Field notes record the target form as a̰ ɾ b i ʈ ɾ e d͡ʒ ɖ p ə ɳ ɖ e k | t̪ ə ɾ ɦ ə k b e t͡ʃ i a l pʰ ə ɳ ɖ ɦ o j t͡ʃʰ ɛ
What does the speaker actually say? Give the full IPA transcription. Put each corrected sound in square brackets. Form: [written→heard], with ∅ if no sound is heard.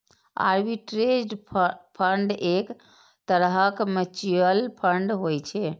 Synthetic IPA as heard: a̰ ɾ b i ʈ ɾ e d͡ʒ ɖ [p→pʰ] ə ɳ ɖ e k | t̪ ə ɾ ɦ ə k [b→m] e t͡ʃ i [a→ə] l pʰ ə ɳ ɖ ɦ o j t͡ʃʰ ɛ